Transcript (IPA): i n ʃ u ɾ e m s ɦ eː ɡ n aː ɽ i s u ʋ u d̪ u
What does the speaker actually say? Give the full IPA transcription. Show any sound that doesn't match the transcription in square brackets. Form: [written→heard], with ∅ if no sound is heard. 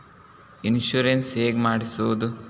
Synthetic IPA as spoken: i n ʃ u ɾ e [m→n] s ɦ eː ɡ [n→m] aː ɽ i s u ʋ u d̪ u